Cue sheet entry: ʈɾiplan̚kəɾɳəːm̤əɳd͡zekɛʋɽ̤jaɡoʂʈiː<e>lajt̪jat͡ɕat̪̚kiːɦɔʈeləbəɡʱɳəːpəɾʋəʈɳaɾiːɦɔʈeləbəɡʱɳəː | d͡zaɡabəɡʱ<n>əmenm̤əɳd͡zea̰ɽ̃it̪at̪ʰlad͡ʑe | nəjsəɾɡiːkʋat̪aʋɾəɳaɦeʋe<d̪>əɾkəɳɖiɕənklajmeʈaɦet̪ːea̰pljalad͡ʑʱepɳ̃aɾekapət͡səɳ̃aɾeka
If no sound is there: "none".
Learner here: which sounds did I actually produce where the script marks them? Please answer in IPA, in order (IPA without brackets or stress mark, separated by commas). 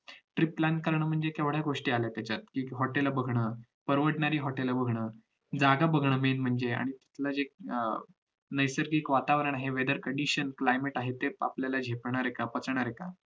a, ɳ, d̪